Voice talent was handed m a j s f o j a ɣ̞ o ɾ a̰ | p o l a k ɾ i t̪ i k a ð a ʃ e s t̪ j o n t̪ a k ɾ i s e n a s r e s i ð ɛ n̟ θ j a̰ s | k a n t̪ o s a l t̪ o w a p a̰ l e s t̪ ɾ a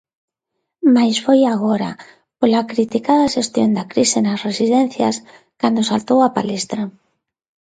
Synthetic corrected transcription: m a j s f o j a ɣ̞ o ɾ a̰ | p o l a k ɾ i t̪ i k a ð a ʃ e s t̪ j o n d̪ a k ɾ i s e n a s r e s i ð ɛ n̟ θ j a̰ s | k a n d̪ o s a l t̪ o w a p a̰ l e s t̪ ɾ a